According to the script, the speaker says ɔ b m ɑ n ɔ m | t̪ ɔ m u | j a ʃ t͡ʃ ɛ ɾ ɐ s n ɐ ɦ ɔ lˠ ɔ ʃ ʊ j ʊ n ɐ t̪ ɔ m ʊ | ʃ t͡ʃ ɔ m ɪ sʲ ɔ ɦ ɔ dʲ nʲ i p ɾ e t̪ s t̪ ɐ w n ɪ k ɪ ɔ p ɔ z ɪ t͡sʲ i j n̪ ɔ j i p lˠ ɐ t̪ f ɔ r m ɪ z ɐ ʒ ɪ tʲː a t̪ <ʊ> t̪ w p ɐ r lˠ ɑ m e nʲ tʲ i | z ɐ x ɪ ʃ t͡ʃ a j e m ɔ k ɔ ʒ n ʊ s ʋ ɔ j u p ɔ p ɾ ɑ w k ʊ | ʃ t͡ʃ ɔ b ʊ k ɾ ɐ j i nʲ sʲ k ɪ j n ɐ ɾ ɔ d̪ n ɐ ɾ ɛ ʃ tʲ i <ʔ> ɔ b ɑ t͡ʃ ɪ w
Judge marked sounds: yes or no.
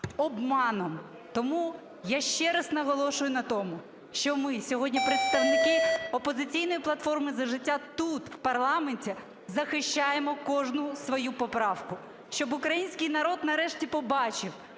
no, no

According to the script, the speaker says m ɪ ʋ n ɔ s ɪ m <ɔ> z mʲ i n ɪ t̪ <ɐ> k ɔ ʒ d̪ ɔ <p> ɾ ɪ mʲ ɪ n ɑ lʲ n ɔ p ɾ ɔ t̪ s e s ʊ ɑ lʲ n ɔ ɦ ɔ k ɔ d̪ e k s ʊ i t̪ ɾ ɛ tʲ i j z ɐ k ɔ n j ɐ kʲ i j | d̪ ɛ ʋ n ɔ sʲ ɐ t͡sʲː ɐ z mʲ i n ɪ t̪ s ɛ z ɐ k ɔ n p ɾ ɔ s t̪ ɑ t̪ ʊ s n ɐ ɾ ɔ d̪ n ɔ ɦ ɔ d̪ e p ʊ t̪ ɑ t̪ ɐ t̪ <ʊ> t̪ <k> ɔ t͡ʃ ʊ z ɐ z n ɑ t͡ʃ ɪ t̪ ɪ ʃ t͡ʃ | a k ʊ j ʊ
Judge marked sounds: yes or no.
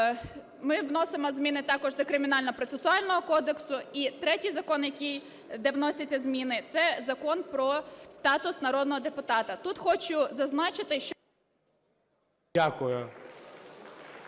yes, no, no, no, no

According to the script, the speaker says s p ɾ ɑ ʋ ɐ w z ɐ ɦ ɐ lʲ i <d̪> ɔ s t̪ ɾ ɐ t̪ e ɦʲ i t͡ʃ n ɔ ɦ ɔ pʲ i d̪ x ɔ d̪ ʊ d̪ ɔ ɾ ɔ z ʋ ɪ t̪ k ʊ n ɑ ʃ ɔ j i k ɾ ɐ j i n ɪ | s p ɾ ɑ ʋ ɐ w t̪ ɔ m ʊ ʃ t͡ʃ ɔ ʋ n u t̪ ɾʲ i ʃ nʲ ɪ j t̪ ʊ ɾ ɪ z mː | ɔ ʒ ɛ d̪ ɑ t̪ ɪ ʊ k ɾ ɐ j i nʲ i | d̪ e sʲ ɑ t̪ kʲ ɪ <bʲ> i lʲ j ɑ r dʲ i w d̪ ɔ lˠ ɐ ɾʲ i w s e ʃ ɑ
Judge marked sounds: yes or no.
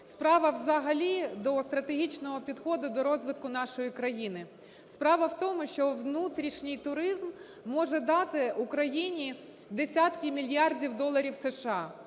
yes, no

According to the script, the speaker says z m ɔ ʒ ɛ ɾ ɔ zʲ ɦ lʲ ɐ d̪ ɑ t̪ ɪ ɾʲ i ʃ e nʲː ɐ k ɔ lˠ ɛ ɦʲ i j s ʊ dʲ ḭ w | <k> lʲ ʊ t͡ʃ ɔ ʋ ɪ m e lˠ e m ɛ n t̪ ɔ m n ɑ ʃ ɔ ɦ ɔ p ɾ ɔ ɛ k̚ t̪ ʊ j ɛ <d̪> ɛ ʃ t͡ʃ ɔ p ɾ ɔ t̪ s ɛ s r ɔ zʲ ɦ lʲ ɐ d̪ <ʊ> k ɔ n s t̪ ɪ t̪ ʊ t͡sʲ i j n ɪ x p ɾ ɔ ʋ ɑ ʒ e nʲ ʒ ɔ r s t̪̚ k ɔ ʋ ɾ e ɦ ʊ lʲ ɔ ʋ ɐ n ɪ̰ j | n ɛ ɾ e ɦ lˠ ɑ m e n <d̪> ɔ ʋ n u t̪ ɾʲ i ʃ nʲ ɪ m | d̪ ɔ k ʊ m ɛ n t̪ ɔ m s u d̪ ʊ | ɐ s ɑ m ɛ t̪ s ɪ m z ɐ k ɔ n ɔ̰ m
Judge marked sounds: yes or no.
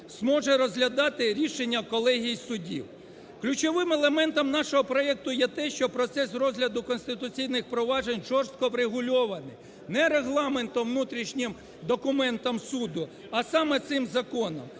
yes, no, yes, no

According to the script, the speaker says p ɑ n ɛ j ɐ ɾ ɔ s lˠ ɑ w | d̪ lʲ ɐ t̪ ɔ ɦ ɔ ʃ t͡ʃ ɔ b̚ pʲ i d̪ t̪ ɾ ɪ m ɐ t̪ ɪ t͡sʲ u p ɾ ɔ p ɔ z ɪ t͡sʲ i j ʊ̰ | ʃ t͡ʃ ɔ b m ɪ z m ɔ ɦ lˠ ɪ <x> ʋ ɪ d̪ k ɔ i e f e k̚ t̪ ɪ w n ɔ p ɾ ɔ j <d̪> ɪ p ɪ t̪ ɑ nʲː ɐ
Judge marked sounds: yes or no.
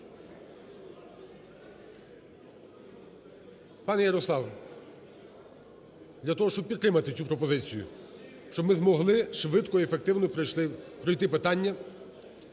no, no

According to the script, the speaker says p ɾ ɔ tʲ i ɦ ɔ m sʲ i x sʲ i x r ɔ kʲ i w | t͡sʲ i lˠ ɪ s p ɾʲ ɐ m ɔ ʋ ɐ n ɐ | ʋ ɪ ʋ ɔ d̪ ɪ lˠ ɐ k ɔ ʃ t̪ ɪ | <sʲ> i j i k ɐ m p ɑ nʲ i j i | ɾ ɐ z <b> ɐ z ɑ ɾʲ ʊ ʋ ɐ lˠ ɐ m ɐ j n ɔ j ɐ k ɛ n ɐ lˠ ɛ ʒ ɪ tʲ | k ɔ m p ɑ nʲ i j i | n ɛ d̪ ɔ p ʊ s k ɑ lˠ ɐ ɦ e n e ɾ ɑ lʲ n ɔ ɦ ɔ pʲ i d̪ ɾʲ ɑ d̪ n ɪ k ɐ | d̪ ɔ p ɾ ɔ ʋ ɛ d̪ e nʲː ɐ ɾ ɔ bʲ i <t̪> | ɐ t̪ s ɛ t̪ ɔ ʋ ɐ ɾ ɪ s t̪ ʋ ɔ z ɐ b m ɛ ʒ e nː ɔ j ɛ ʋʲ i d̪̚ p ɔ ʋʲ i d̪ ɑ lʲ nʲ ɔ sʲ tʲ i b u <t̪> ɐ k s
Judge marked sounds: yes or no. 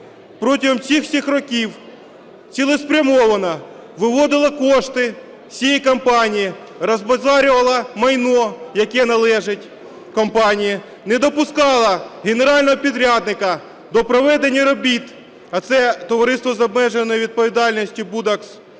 yes, yes, yes, no

